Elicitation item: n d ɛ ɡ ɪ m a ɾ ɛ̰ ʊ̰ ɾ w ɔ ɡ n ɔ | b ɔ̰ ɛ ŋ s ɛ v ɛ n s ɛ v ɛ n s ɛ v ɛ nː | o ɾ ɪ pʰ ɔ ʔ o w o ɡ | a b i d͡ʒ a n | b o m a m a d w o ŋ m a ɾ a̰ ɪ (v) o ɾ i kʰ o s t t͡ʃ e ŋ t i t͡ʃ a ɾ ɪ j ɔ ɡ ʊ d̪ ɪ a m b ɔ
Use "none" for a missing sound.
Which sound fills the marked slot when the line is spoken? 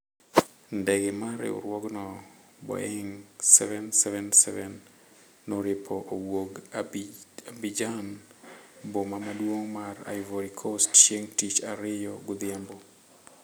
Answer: v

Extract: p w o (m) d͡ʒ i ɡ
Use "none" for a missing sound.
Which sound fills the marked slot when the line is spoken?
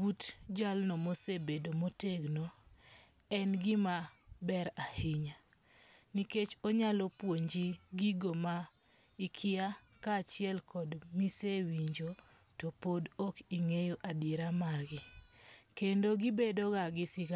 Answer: ɲ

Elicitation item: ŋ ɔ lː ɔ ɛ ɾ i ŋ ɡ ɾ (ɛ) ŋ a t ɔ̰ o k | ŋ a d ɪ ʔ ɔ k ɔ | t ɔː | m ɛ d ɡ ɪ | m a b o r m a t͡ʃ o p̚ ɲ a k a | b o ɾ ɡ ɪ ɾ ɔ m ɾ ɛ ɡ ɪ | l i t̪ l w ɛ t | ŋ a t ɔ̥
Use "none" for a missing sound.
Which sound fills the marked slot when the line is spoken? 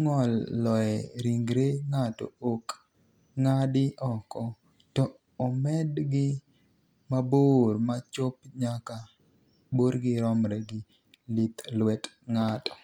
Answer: e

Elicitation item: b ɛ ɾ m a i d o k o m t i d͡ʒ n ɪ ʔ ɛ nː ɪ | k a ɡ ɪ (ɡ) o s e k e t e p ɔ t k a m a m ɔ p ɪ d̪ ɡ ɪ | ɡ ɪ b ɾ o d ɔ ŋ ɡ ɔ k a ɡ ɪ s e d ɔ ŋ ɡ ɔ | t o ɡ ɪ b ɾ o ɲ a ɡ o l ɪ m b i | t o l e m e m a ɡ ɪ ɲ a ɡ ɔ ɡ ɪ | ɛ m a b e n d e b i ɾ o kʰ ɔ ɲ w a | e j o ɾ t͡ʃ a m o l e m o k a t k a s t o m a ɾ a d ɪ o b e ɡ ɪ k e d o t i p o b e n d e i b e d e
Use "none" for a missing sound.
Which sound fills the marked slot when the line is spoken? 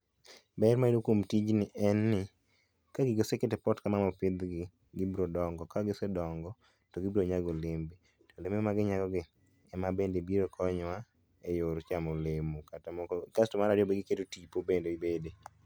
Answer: ɡ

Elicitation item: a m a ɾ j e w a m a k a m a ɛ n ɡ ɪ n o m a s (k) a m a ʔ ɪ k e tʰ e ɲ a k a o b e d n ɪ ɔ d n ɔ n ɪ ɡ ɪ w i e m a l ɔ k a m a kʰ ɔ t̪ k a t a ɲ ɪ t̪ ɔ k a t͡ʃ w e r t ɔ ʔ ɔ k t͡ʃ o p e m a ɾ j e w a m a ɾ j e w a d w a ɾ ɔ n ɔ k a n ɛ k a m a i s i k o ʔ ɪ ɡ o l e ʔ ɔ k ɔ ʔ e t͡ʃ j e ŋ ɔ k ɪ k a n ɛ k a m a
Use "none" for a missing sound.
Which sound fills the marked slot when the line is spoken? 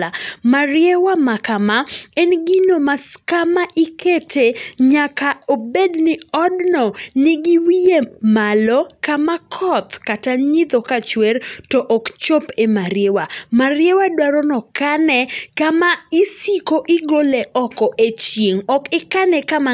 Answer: k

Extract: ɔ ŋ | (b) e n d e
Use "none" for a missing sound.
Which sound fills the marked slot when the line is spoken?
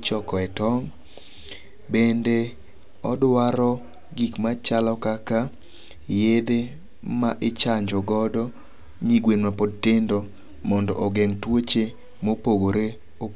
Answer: b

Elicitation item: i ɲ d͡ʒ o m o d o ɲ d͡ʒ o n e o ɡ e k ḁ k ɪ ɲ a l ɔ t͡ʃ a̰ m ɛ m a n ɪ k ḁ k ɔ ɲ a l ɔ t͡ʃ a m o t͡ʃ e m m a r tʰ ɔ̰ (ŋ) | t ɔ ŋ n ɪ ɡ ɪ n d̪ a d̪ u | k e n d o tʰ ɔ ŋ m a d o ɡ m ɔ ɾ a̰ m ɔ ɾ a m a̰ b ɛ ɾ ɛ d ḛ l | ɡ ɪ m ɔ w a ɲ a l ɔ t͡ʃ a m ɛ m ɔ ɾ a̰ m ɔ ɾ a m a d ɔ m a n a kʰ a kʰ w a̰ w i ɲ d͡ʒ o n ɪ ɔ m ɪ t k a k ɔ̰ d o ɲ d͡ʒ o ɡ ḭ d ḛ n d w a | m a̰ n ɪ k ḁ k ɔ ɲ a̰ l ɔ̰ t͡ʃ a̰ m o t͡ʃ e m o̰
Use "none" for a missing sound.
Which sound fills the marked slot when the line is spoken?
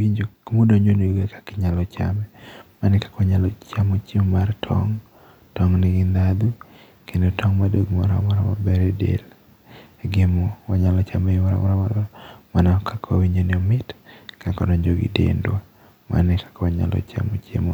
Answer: ŋ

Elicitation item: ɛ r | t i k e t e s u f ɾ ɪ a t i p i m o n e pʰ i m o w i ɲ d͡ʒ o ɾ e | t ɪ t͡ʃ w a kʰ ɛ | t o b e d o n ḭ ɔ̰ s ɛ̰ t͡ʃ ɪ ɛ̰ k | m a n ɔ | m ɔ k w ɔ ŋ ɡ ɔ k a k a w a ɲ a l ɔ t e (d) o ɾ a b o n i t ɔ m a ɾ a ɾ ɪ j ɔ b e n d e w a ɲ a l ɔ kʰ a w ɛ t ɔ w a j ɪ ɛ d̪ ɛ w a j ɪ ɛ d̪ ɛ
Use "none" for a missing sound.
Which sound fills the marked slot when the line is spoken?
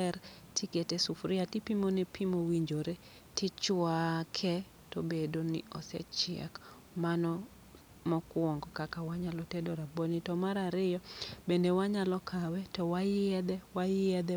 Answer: d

